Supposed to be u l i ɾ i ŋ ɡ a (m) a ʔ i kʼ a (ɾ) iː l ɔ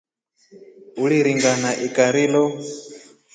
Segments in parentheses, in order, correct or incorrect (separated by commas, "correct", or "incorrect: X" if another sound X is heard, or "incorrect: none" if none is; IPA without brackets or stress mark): incorrect: n, correct